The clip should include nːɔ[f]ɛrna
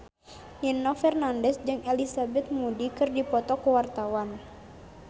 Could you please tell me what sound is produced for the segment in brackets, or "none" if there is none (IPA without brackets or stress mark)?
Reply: f